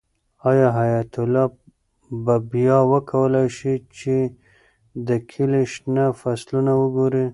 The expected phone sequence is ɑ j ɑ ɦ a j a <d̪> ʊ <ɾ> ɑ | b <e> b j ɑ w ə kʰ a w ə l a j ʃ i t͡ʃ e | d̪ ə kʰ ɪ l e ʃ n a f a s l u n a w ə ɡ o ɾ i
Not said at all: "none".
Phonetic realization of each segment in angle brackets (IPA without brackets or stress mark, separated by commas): t̪, l, a